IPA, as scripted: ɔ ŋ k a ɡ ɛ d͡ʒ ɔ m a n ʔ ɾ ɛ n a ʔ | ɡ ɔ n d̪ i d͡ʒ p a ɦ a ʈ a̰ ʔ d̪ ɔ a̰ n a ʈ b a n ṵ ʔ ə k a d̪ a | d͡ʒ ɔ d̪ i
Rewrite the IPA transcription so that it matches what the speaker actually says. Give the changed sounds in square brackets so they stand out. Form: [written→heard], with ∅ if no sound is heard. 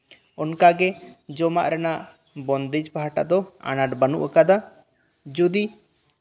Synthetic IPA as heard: ɔ [ŋ→n] k a ɡ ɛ d͡ʒ ɔ m a [n→∅] ʔ ɾ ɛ n a ʔ | [ɡ→b] ɔ n d̪ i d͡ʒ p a ɦ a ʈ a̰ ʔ d̪ ɔ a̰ n a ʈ b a n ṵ ʔ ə k a d̪ a | d͡ʒ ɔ d̪ i

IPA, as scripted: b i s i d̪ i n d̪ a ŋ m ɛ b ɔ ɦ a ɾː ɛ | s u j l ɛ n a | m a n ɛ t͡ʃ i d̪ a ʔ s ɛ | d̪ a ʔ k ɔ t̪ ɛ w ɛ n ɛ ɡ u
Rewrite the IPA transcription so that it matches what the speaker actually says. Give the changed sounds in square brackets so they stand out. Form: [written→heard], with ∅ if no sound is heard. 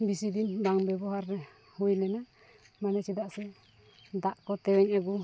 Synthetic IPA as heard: b i s i d̪ i n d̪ a ŋ [m→b] ɛ b ɔ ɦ a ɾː ɛ | [s→h] u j l ɛ n a | m a n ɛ t͡ʃ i d̪ a ʔ s ɛ | d̪ a ʔ k ɔ t̪ ɛ w ɛ [n→ɲ] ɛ ɡ u

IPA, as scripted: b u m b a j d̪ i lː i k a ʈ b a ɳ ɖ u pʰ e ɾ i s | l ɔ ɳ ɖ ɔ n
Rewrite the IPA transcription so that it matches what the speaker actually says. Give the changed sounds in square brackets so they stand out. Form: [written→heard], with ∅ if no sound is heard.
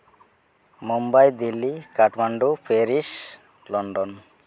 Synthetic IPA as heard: [b→m] u m b a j d̪ i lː i k a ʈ [b→m] a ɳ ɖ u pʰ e ɾ i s | l ɔ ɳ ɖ ɔ n

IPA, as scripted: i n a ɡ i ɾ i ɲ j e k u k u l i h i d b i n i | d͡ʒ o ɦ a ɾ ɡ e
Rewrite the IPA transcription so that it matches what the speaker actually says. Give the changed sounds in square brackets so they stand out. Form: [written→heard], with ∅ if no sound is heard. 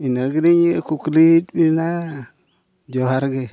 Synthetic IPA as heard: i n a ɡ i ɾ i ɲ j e k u k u l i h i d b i n [i→a] | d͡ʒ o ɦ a ɾ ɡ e

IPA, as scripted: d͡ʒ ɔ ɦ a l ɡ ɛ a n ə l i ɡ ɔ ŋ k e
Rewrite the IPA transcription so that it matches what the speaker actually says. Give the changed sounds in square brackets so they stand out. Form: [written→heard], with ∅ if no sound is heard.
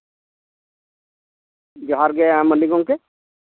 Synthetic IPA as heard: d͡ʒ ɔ ɦ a [l→ɾ] ɡ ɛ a [n→m] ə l i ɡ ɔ ŋ k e

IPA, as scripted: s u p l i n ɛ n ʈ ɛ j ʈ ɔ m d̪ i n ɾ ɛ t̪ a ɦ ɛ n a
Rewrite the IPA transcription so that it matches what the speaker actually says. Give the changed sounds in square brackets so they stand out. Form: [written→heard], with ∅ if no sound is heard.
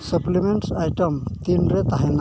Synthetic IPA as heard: s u p l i [n→m] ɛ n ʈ [ɛ→a] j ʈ ɔ m [d̪→t̪] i n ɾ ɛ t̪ a ɦ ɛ n a

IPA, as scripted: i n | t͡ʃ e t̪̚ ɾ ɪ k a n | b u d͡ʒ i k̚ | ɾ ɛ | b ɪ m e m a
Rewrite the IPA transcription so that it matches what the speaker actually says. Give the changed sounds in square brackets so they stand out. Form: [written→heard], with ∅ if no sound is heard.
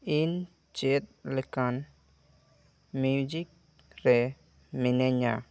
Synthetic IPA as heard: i n | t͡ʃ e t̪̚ [ɾ→l] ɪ k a n | [b→m] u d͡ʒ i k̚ | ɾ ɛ | [b→m] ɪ [m→n] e [m→ɲ] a

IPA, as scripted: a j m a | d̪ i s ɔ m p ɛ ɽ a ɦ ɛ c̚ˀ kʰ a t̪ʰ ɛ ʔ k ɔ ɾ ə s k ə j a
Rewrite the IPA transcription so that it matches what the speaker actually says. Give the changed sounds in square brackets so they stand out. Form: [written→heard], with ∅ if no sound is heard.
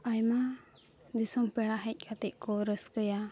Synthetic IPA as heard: a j m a | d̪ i s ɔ m p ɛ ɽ a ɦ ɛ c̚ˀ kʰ a [t̪ʰ→t̪] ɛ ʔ k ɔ ɾ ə s k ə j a

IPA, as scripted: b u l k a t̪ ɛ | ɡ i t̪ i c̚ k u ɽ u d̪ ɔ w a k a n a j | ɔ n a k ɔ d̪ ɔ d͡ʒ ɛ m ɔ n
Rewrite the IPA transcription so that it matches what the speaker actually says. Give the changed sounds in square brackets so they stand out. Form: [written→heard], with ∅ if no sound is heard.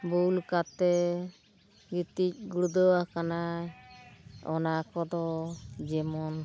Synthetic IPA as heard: b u l k a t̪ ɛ | ɡ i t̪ i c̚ [k→ɡ] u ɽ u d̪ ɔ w a k a n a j | ɔ n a k ɔ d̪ ɔ d͡ʒ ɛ m ɔ n

